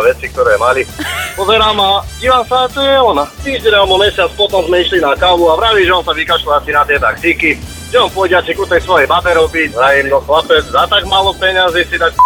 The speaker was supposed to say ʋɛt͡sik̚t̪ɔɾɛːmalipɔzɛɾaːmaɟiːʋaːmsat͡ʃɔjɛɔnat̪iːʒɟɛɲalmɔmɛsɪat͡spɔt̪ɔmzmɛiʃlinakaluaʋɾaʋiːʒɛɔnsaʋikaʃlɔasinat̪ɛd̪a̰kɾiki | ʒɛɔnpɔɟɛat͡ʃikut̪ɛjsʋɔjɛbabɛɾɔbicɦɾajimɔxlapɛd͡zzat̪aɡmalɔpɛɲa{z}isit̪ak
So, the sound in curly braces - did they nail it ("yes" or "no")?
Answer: yes